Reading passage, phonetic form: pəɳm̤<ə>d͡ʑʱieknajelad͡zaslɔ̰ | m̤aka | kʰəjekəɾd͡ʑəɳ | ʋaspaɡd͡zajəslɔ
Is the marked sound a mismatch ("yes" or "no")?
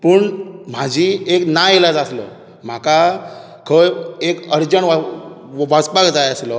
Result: yes